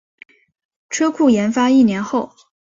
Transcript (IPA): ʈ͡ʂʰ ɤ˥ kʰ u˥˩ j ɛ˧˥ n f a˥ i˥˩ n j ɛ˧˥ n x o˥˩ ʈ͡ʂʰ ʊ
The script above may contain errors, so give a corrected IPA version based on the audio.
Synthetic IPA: ʈ͡ʂʰ ɤ˥ kʰ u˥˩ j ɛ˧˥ n f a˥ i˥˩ n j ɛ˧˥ n x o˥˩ ʊ